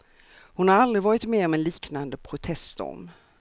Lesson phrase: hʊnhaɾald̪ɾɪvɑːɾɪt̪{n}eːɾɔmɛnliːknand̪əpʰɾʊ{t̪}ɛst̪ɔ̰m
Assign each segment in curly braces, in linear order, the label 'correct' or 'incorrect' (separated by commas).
incorrect, incorrect